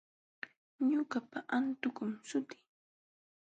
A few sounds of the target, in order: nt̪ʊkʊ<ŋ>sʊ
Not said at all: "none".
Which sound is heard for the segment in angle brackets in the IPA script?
m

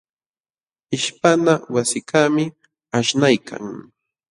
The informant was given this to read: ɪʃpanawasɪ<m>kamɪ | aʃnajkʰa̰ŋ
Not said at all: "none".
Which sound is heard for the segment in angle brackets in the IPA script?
none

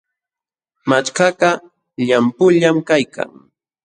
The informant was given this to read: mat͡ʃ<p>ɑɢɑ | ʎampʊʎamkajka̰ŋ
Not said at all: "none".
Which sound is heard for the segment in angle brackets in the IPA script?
k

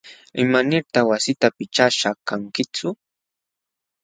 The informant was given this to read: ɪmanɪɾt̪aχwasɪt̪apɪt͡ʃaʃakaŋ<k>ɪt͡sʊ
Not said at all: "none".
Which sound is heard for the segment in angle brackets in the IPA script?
k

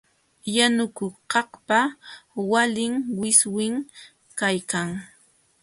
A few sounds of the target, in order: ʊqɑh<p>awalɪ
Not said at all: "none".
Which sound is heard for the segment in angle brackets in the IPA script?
p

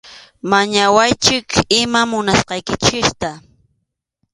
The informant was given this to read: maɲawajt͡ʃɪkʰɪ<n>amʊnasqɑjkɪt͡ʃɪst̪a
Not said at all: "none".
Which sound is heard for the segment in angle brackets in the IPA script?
m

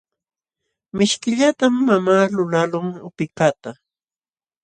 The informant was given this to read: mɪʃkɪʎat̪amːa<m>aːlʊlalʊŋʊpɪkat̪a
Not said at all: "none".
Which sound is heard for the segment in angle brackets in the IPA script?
m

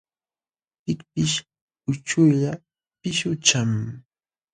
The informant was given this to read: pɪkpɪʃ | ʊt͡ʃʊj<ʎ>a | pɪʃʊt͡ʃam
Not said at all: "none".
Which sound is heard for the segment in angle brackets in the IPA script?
ʎ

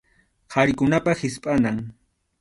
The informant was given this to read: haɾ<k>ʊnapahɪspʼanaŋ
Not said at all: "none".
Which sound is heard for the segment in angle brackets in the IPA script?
k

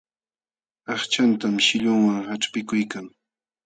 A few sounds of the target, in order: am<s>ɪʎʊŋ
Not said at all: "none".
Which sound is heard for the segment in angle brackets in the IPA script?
ʃ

